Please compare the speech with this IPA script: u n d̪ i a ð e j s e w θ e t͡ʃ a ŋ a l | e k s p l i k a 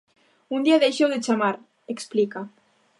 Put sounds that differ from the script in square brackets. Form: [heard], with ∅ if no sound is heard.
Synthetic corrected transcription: u n d̪ i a ð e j [ʃ] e w [ð] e t͡ʃ a [m] a [ɾ] | e k s p l i k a